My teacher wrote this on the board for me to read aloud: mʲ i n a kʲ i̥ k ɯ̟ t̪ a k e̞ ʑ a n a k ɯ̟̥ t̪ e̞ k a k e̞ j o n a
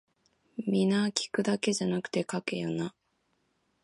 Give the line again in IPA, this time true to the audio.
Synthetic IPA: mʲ i n a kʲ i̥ k ɯ̟ d̪ a k e̞ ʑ a n a k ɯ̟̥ t̪ e̞ k a k e̞ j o n a